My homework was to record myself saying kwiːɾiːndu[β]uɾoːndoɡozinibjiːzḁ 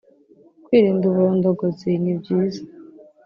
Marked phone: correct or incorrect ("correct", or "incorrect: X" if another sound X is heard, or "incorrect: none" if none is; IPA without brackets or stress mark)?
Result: correct